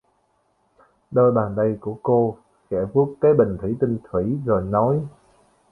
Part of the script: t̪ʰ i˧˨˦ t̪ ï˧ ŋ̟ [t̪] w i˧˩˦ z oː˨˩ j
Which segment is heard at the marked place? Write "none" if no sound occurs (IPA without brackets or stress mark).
t̪ʰ